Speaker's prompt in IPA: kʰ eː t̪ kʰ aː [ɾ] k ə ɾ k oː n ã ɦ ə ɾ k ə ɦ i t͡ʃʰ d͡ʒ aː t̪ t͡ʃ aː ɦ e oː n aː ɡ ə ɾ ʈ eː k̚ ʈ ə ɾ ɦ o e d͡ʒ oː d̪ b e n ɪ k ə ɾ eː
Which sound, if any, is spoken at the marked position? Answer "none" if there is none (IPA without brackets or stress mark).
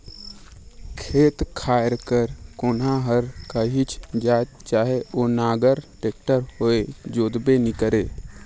ɾ